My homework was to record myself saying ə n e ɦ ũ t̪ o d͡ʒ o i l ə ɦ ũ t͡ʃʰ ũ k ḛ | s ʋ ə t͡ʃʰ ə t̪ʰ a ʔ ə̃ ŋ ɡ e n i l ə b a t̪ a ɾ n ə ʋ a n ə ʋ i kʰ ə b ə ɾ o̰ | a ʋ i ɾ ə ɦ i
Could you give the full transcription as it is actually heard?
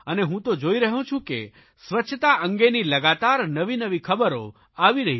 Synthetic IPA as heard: ə n e ɦ ũ t̪ o d͡ʒ o i ɾ ə ɦ ũ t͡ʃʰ ũ k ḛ | s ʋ ə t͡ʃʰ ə t̪ a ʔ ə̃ ŋ ɡ e n i l ə ɡ a t̪ a ɾ n ə ʋ i n ə ʋ i kʰ ə b ə ɾ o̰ | a ʋ i ɾ ə ɦ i